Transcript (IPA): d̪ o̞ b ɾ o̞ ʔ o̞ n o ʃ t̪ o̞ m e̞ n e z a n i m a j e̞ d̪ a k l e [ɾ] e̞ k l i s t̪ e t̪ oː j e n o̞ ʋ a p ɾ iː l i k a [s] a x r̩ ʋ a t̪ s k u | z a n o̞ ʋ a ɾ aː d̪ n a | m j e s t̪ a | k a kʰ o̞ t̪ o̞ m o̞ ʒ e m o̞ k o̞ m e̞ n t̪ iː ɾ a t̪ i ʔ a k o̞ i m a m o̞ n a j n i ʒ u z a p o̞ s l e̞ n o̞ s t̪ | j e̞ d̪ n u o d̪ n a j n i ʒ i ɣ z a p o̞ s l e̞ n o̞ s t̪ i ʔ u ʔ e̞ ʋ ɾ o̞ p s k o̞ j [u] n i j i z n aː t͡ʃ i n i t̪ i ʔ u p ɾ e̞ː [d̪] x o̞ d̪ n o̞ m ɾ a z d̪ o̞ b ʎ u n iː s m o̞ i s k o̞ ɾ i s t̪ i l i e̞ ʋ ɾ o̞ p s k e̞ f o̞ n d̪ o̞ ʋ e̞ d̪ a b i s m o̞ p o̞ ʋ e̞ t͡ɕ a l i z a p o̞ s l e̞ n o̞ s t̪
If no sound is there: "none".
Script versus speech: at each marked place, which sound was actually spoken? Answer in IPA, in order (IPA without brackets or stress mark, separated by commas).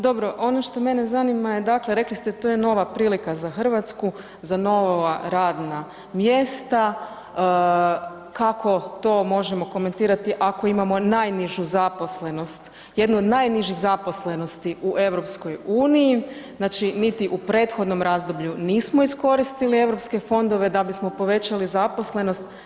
ɾ, z, uː, t̪